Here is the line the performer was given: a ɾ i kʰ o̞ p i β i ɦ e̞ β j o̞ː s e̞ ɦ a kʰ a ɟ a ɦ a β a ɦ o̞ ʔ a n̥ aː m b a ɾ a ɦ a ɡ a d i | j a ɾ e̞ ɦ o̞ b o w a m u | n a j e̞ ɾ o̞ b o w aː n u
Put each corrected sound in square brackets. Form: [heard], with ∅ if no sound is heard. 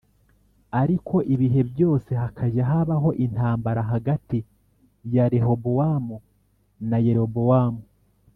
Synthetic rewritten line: a ɾ i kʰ o̞ [ʔ] i β i ɦ e̞ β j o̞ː s e̞ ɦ a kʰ a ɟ a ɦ a β a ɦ o̞ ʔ [i] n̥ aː m b a ɾ a ɦ a ɡ a [t] i | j a ɾ e̞ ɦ o̞ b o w a m u | n a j e̞ ɾ o̞ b o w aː [m] u